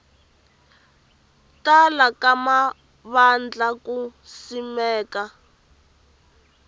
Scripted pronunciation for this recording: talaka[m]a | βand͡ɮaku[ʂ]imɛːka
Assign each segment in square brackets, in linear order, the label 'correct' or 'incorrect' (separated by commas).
correct, incorrect